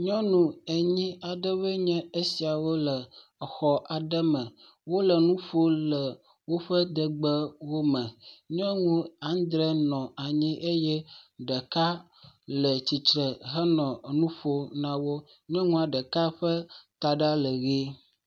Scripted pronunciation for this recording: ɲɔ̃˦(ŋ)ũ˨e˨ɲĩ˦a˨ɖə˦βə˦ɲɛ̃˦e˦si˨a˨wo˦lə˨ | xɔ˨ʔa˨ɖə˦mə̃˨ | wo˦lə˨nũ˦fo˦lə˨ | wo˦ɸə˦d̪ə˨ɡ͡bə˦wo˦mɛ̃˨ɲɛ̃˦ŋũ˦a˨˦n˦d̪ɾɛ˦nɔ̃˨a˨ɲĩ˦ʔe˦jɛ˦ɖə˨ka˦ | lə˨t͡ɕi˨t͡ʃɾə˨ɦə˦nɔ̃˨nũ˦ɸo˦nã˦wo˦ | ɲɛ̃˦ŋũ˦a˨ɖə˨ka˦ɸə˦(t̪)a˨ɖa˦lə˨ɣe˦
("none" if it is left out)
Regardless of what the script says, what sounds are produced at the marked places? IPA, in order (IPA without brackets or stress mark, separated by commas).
n, t̪